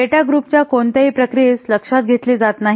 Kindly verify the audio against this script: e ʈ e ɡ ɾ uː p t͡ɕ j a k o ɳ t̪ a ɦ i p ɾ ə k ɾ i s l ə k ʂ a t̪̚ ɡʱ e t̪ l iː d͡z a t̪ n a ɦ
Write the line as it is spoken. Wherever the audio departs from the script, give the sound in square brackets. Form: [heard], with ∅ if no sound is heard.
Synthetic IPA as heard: e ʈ [a] ɡ ɾ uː p t͡ɕ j a k o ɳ t̪ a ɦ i p ɾ ə k ɾ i s l ə k ʂ a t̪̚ ɡʱ e t̪ l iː d͡z a t̪ n a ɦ

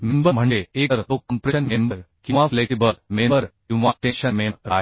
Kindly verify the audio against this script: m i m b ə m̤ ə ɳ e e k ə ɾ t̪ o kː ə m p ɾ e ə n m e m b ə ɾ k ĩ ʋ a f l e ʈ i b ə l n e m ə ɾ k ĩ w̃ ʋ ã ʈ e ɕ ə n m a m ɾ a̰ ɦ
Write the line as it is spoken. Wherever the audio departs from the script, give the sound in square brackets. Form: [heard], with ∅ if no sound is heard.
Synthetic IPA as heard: m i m b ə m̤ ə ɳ e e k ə ɾ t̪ o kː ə m p ɾ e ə n m e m b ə ɾ k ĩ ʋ a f l e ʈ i b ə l [m] e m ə ɾ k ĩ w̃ ʋ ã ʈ e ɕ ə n m [e] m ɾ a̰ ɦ

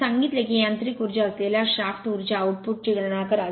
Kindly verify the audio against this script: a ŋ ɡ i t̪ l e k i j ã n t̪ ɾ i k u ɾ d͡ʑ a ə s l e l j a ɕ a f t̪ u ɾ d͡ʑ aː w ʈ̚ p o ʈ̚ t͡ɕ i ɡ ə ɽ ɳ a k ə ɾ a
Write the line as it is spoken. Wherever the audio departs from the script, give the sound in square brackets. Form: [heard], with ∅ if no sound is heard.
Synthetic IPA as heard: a ŋ ɡ i t̪ l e k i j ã n t̪ ɾ i k u ɾ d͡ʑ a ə s l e l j a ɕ a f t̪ u ɾ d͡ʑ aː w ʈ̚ p [u] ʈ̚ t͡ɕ i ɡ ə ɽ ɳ a k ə ɾ a

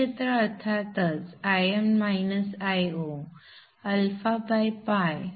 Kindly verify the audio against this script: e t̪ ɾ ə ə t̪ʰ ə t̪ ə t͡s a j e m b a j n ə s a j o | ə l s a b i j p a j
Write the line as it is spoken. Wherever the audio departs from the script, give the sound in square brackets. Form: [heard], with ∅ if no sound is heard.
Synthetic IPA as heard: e t̪ ɾ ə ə t̪ʰ [a] t̪ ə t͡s a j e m [m] a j n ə s a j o | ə l [f] a b [a] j p a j

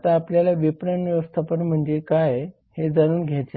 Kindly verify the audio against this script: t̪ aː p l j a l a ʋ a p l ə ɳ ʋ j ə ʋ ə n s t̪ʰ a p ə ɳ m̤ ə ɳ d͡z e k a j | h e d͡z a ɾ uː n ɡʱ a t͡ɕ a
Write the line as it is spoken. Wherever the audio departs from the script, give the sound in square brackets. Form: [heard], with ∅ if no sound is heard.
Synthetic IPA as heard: t̪ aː p l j a l a ʋ [i] p [ɾ] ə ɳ ʋ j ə ʋ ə [∅] s t̪ʰ a p ə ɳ m̤ ə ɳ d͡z e k a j | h e d͡z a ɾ uː n ɡʱ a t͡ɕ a

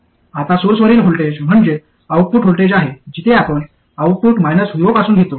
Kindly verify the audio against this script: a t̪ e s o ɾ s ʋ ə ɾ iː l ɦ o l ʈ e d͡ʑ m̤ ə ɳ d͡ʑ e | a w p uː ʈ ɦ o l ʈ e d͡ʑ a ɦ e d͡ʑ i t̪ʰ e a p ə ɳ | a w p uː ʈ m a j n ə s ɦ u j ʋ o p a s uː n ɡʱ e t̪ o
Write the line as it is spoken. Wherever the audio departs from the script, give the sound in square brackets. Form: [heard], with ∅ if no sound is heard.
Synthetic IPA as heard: a t̪ [a] s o ɾ s ʋ ə ɾ iː l ɦ o l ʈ e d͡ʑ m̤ ə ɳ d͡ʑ e | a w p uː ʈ ɦ o l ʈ e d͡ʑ a ɦ e d͡ʑ i t̪ʰ e a p ə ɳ | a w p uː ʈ m a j n ə s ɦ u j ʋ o p a s uː n ɡʱ e t̪ o

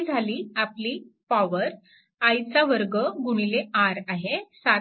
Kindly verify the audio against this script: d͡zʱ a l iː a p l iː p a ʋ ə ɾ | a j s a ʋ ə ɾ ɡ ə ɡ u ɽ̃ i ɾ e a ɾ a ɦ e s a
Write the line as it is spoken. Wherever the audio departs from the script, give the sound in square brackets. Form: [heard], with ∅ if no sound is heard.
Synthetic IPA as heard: d͡zʱ a l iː a p l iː p a ʋ ə ɾ | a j [t͡s] a ʋ ə ɾ ɡ ə ɡ u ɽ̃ i [l] e a ɾ a ɦ e s a

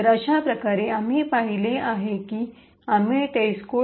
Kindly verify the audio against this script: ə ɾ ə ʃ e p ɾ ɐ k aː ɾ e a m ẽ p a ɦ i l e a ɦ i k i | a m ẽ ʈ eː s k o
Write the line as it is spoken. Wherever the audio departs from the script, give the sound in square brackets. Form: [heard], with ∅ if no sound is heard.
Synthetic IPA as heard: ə ɾ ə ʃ [a] p ɾ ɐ k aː ɾ e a m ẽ p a ɦ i l e a ɦ [e] k i | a m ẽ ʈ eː s k o

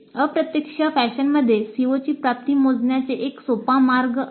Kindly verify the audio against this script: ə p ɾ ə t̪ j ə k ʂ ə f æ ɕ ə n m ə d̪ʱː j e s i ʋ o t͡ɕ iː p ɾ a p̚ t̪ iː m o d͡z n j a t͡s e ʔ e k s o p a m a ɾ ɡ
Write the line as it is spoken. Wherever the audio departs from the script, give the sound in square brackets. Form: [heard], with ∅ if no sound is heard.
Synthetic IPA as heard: ə p ɾ ə t̪ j ə k ʂ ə f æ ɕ ə n m ə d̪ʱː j e s i ʋ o t͡ɕ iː p ɾ a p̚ t̪ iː m o d͡z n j a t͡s e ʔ e k s o p a m a ɾ ɡ

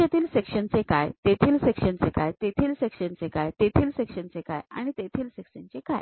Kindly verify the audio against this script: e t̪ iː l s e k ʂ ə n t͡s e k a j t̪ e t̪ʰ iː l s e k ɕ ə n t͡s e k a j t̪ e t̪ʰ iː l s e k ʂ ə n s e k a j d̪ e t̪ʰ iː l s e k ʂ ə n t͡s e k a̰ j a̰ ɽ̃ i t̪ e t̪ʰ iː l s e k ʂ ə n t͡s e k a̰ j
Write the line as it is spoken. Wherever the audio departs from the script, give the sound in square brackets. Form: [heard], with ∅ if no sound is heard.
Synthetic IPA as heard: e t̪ iː l s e k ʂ ə n t͡s e k a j t̪ e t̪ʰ iː l s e k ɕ ə n t͡s e k a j t̪ e t̪ʰ iː l s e k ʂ ə n [t͡s] e k a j [t̪] e t̪ʰ iː l s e k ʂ ə n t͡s e k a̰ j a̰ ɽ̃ i t̪ e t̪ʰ iː l s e k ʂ ə n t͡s e k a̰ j

